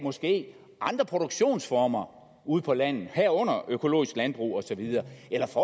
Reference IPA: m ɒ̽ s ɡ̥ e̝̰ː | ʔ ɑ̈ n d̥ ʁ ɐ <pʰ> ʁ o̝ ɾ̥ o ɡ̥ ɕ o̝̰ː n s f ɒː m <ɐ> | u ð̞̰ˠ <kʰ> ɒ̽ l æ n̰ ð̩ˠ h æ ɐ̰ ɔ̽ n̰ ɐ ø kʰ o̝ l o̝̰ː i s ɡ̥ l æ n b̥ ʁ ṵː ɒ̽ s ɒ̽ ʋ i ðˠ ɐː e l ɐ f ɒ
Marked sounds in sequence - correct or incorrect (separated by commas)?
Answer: correct, correct, incorrect